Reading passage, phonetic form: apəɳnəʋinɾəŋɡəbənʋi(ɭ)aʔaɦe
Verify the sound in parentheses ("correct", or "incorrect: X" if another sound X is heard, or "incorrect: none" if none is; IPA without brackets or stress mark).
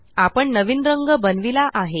incorrect: l